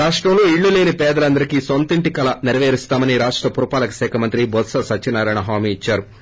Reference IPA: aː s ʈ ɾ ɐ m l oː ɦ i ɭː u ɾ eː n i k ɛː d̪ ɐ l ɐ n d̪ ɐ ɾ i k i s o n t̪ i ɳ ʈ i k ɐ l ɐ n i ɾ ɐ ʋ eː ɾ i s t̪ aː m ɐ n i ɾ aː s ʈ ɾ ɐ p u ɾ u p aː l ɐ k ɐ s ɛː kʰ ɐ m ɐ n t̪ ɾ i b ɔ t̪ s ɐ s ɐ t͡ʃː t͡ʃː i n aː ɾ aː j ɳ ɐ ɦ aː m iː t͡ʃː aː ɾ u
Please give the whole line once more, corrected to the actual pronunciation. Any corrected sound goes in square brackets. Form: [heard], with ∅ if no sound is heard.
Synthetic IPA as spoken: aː [ʂ] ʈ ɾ ɐ m l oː [∅] i ɭː u [l] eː n i [p] ɛː d̪ ɐ l ɐ n d̪ ɐ ɾ i k i s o n t̪ i ɳ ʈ i k ɐ l ɐ n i ɾ ɐ ʋ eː ɾ i s t̪ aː m ɐ n i ɾ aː [ʂ] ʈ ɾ ɐ p u ɾ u p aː l ɐ k ɐ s ɛː kʰ ɐ m ɐ n t̪ ɾ i b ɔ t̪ s ɐ s ɐ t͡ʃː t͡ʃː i n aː ɾ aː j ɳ ɐ ɦ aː m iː t͡ʃː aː ɾ u